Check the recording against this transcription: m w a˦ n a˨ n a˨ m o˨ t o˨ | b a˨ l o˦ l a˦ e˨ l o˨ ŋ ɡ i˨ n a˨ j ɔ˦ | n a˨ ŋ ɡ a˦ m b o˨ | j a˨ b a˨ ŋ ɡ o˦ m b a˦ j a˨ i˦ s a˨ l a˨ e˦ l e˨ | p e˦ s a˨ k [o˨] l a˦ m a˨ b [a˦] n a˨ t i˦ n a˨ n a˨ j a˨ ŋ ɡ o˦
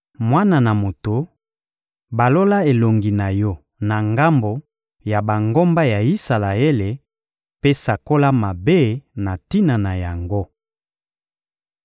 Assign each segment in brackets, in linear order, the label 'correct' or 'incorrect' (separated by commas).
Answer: incorrect, incorrect